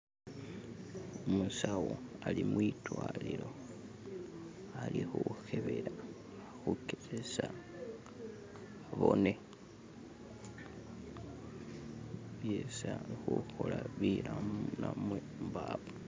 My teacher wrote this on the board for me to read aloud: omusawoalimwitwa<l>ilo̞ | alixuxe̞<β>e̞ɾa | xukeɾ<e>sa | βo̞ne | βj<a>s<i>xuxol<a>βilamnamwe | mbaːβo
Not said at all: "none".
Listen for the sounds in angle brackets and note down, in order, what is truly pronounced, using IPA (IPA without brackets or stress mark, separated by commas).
l, β, e, e, a, a